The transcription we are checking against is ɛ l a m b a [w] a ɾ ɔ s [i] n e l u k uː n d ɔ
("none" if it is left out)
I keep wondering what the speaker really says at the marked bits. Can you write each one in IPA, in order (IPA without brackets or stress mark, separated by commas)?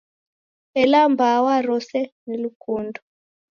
w, ɛ